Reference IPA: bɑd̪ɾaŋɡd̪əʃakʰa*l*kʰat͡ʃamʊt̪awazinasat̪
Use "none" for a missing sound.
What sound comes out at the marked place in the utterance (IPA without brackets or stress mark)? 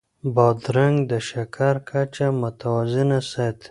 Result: ɾ